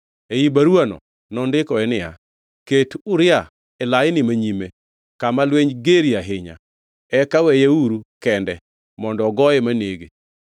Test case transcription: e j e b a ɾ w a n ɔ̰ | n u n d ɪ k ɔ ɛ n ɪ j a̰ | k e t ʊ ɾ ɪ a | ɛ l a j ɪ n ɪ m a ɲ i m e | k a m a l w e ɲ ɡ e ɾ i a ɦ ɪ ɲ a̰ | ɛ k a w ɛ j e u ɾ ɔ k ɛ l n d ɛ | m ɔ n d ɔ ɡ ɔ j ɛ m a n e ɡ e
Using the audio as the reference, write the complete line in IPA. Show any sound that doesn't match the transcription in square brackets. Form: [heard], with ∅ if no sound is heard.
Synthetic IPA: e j [i] b a ɾ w a n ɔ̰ | n [ɔ] n d ɪ k ɔ ɛ n ɪ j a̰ | k e t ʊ ɾ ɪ a | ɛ l a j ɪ n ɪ m a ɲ i m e | k a m a l w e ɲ ɡ e ɾ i a ɦ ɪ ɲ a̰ | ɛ k a w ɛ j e u ɾ [u] k ɛ [∅] n d ɛ | m ɔ n d ɔ ɡ ɔ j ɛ m a n e ɡ e